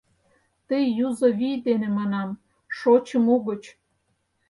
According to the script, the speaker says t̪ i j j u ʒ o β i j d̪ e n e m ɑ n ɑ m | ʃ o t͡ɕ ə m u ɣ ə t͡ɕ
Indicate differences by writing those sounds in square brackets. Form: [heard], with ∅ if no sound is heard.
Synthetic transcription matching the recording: t̪ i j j u [z] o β i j d̪ e n e m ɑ n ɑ m | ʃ o t͡ɕ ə m u ɣ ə t͡ɕ

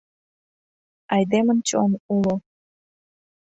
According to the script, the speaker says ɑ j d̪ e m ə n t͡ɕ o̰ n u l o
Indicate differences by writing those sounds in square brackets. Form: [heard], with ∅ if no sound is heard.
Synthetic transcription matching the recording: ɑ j d̪ e m ə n t͡ɕ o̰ n u l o

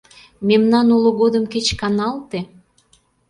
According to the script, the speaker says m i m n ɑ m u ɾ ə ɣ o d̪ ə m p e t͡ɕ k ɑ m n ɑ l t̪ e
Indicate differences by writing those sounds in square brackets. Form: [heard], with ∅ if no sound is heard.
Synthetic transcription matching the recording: m [e] m n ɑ [n] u [l] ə ɣ o d̪ ə m [k] e t͡ɕ k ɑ [∅] n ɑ l t̪ e

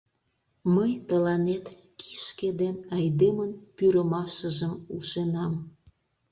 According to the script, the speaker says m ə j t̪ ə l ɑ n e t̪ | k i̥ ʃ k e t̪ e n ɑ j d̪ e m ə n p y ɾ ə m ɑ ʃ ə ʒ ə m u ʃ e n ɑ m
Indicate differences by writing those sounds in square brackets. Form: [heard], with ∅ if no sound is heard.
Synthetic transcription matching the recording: m ə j t̪ ə l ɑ n e t̪ | k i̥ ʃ k e [d̪] e n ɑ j d̪ e m ə n p y ɾ ə m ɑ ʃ ə ʒ ə m u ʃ e n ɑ m

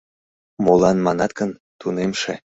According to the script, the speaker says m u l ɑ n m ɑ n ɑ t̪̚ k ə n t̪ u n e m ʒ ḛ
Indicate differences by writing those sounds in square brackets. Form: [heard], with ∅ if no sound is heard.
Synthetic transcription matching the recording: m [o] l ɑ n m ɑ n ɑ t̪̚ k ə n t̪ u n e m [ʃ] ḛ

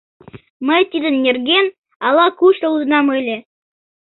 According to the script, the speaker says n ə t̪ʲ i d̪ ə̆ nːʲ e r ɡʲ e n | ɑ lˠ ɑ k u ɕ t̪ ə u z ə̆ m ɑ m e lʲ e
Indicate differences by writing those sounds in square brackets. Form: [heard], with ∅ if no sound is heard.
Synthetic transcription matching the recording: [m] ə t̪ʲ i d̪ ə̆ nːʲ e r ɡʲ e n | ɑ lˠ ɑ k u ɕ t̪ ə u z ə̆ [n] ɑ m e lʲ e

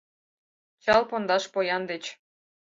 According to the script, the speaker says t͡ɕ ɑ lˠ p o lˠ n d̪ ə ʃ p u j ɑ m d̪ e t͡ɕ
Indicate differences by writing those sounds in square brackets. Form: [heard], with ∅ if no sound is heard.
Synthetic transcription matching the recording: t͡ɕ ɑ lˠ p o [∅] n d̪ [ɑ] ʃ p [o] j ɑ [n] d̪ e t͡ɕ

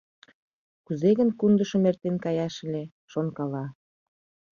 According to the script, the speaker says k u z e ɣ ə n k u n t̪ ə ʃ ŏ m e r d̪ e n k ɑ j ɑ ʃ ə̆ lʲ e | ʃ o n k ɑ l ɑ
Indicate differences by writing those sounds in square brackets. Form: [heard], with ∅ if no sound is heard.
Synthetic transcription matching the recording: k u z e ɣ ə n k u n [d̪] ə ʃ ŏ m e r [t̪] e n k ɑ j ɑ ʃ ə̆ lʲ e | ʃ o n k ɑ l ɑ

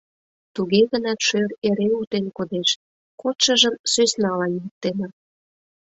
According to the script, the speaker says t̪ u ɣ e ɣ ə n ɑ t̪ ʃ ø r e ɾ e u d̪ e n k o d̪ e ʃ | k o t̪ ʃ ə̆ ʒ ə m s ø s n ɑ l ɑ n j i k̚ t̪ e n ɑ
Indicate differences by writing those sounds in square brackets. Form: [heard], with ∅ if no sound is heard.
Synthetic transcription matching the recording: t̪ u ɣ e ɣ ə n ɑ t̪ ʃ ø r e ɾ e u [t̪] e n k o d̪ e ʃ | k o t̪ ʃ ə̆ ʒ ə m s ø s n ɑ l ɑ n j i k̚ t̪ e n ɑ

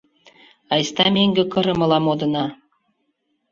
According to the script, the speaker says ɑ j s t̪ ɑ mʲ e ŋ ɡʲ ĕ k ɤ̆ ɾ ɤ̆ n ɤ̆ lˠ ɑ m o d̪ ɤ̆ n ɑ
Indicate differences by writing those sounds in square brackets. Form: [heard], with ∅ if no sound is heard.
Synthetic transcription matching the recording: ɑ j s t̪ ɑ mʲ e ŋ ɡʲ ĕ k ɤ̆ ɾ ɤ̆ [m] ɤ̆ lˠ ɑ m o d̪ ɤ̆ n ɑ

